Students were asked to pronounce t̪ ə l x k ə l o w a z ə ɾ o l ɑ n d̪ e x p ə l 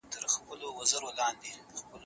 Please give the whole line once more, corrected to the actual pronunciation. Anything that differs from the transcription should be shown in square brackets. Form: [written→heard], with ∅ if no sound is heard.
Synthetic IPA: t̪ ə [l→ɾ] x [k→p] ə l o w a z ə ɾ o l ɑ n d̪ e x p ə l